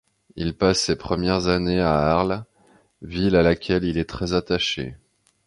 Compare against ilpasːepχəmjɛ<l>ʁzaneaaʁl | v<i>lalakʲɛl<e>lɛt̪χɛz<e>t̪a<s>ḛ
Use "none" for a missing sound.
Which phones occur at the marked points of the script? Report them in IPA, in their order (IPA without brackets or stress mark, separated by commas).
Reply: none, i, i, a, ʃ